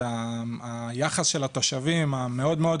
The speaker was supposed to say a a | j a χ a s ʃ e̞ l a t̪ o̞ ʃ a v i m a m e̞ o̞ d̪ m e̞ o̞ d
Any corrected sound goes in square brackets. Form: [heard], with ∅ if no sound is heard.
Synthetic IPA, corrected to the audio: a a | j a χ a s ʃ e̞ l a t̪ o̞ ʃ a v i m a m e̞ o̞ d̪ m e̞ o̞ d